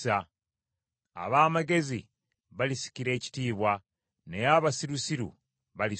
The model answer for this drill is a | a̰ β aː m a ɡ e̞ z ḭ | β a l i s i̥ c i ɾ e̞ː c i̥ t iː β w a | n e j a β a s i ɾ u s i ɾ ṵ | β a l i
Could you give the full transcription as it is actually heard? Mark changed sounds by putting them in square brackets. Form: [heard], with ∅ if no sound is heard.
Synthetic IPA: a | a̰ β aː m a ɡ e̞ z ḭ | β a l i s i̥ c i ɾ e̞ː c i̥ t iː β w a | n e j a β a s i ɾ u s i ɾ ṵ | β a l i